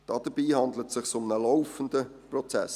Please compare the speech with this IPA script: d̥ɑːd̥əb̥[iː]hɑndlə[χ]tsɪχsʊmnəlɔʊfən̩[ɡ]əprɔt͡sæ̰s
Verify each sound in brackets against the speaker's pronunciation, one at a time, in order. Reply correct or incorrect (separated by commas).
correct, incorrect, incorrect